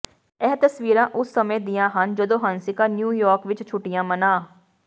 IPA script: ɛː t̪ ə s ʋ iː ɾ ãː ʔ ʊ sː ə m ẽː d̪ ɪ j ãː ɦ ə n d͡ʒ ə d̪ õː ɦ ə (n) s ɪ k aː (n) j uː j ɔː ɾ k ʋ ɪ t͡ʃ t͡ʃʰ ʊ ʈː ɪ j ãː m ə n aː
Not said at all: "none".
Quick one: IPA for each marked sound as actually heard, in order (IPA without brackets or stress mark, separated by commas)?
n, n